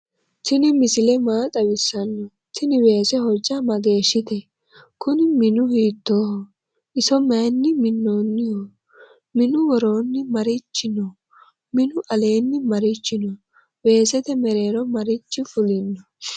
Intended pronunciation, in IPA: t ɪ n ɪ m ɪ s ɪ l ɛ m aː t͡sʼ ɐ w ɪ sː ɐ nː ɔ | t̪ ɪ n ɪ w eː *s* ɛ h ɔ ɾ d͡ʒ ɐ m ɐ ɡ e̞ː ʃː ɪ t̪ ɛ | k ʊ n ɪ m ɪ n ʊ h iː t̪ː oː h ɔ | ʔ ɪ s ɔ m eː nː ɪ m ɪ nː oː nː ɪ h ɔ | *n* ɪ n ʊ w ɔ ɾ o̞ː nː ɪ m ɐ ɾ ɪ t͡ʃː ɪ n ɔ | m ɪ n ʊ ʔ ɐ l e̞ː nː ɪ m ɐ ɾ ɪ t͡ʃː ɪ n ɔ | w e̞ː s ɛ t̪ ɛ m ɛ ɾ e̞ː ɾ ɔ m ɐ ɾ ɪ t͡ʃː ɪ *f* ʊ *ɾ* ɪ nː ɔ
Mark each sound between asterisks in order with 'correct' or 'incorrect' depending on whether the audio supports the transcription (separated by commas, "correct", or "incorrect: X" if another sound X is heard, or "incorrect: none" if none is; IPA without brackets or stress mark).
correct, incorrect: m, correct, incorrect: l